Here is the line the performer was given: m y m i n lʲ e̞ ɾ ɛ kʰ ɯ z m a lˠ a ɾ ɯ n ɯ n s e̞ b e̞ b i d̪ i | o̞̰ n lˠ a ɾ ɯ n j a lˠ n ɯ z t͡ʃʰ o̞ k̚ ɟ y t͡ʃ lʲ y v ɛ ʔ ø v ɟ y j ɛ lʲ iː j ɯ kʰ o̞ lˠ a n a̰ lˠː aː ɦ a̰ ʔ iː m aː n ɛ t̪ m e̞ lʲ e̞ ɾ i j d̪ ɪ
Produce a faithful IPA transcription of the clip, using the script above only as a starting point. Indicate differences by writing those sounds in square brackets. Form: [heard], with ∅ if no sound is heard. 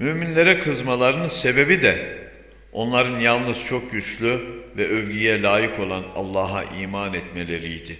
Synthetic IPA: m y m i n lʲ e̞ ɾ ɛ kʰ ɯ z m a lˠ a ɾ ɯ n ɯ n s e̞ b e̞ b i d̪ [ɛ] | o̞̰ n lˠ a ɾ ɯ n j a lˠ n ɯ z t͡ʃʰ o̞ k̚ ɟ y t͡ʃ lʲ y v ɛ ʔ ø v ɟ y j ɛ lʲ [aː] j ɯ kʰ o̞ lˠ a n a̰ lˠː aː ɦ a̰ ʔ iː m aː n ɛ t̪ m e̞ lʲ e̞ ɾ i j d̪ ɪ